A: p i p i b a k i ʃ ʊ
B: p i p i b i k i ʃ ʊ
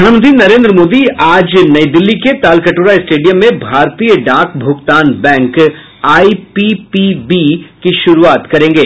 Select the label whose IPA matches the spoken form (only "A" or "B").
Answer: B